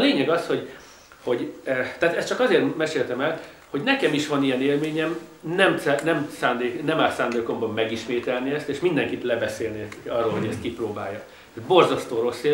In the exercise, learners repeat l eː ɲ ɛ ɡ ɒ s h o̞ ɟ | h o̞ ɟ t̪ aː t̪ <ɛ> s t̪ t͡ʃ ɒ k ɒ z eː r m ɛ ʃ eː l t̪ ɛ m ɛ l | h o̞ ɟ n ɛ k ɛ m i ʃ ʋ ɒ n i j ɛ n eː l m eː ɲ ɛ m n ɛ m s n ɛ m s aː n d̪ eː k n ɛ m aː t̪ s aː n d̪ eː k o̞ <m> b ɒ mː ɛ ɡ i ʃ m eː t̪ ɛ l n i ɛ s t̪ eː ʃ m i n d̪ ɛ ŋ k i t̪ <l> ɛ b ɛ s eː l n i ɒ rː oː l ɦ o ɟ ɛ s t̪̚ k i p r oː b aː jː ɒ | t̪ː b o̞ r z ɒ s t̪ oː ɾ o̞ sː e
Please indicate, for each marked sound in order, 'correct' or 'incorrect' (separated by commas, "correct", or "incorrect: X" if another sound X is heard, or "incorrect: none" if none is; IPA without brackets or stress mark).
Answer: correct, correct, correct